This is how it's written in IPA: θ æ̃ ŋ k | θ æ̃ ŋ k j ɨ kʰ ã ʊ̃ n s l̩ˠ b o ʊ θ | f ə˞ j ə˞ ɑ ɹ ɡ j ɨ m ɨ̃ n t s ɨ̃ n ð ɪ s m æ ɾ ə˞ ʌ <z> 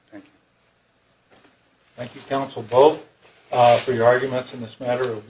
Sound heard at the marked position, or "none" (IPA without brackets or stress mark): v